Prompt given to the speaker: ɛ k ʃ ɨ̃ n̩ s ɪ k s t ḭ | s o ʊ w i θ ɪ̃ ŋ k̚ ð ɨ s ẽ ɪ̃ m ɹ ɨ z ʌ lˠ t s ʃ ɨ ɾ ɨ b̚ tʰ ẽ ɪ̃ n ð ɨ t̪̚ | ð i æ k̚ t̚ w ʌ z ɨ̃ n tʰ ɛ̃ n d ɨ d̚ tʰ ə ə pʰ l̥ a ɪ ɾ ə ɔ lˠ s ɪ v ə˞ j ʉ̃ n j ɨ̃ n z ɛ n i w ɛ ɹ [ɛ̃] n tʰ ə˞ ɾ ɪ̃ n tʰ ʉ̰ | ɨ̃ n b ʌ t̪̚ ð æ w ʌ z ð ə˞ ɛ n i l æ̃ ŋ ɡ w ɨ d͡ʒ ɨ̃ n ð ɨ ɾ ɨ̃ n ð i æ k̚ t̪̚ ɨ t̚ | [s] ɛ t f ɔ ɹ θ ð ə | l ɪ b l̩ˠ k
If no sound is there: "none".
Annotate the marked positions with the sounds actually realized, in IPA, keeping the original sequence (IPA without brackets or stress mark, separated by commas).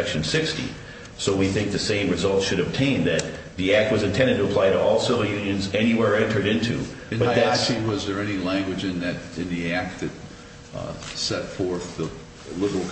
ɛ̃, s